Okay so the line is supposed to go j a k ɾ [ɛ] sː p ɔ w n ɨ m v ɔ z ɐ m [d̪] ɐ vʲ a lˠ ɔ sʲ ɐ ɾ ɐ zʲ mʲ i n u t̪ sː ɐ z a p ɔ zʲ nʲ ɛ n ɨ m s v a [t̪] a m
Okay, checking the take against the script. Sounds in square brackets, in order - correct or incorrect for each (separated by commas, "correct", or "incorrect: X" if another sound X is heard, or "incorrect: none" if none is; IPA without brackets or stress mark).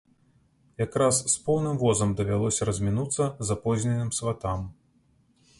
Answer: incorrect: a, correct, correct